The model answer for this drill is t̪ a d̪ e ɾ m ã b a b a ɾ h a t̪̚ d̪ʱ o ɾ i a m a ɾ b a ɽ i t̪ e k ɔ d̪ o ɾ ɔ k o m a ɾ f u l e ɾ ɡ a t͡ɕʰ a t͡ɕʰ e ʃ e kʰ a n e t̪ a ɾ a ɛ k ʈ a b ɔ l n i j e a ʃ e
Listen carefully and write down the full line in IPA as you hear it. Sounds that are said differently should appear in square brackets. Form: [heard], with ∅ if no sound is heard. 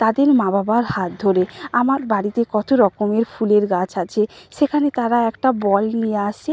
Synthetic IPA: t̪ a d̪ e ɾ m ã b a b a ɾ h a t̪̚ d̪ʱ o ɾ [e] a m a ɾ b a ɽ i t̪ e k ɔ [t̪] o ɾ ɔ k o m [e] ɾ f u l e ɾ ɡ a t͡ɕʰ a t͡ɕʰ e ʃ e kʰ a n e t̪ a ɾ a ɛ k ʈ a b ɔ l n i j e a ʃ e